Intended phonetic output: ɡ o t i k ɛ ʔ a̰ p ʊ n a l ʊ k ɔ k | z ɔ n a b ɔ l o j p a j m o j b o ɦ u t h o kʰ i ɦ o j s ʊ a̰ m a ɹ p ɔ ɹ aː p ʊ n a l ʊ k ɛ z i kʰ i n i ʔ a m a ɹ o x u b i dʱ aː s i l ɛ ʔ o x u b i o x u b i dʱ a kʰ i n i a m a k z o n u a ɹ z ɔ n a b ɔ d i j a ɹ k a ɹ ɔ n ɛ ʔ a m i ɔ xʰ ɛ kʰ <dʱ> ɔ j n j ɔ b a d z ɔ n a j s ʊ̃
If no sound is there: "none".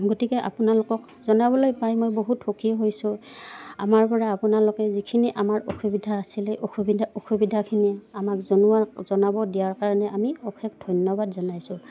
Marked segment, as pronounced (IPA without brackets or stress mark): dʱ